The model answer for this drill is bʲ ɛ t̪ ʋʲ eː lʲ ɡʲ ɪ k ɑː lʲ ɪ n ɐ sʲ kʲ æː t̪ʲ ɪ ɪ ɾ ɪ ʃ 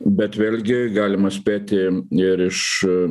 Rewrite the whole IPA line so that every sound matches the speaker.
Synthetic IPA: bʲ ɛ t̪ ʋʲ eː lʲ ɡʲ ɪ ɡ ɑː lʲ ɪ m ɐ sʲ pʲ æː t̪ʲ ɪ ɪ ɾ ɪ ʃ